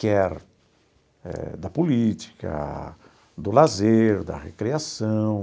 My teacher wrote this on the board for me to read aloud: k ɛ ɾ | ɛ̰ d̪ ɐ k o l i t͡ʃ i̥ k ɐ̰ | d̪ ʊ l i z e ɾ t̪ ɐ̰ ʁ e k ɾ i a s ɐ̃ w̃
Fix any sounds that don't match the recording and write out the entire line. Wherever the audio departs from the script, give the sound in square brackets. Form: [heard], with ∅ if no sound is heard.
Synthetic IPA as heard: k ɛ ɾ | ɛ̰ d̪ ɐ [p] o l i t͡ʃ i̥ k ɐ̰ | d̪ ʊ l [a] z e ɾ [d̪] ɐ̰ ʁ e k ɾ i a s ɐ̃ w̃